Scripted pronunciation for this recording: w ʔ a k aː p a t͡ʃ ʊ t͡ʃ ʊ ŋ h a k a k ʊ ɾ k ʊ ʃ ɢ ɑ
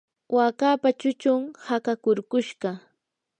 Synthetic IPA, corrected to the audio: w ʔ a k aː p a t͡ʃ ʊ t͡ʃ ʊ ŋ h a k a k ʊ ɾ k ʊ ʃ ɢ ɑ